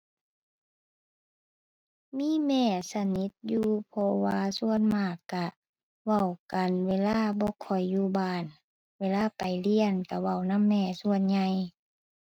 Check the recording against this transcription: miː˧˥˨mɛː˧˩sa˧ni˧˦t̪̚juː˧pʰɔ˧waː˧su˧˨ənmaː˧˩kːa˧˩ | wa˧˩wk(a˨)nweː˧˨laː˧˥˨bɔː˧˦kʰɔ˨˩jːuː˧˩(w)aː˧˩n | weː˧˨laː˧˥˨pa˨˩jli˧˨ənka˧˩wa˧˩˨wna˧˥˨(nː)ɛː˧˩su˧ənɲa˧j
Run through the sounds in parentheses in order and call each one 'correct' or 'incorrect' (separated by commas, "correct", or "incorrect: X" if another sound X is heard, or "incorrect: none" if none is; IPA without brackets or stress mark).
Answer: correct, incorrect: b, incorrect: mː